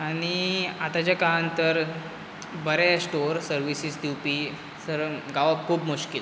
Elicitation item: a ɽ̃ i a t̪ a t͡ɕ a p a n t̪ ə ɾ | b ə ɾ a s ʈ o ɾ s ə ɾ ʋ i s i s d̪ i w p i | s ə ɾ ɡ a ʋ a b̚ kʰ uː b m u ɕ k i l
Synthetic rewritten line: a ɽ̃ i a t̪ a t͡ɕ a k a n t̪ ə ɾ | b ə ɾ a s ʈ o ɾ s ə ɾ ʋ i s i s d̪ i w p i | s ə ɾ ɡ a ʋ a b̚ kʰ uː b m u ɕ k i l